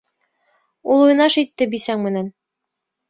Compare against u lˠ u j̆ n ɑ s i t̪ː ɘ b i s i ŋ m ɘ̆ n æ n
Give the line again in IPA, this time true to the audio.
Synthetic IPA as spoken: u lˠ u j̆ n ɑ ʃ i t̪ː ɘ b i s æ ŋ m ɘ̆ n æ n